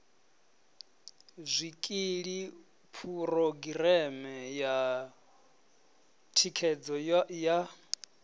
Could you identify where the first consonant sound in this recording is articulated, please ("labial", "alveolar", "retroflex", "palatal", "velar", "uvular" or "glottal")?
alveolar